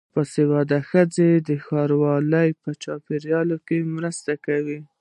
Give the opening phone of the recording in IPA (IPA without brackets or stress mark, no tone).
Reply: p